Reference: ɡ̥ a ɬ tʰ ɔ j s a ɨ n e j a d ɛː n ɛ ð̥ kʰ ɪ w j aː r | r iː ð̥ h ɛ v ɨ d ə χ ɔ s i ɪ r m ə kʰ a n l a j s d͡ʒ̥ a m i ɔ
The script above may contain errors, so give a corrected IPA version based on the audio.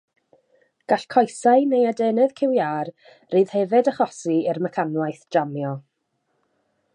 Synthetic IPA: ɡ̥ a ɬ kʰ ɔ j s a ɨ n e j a d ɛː n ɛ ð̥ kʰ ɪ w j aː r | r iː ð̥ h ɛ v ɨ d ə χ ɔ s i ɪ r m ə kʰ a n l a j θ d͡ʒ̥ a m j ɔ